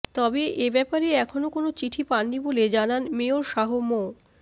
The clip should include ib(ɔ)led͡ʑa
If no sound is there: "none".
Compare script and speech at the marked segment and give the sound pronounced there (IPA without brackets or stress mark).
o